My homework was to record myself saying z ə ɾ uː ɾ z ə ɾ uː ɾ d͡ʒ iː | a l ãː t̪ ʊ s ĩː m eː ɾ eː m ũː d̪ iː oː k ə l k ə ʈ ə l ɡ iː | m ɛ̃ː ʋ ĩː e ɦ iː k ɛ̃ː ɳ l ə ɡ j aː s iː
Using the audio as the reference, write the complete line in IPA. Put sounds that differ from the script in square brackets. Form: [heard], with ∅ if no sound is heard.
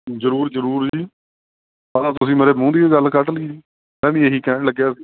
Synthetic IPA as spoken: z ə ɾ uː ɾ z ə ɾ uː ɾ d͡ʒ iː | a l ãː t̪ ʊ s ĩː m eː ɾ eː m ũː d̪ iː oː [ɡ] ə l k ə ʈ ə l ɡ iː | m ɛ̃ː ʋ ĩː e ɦ iː k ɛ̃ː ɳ l ə ɡ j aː s iː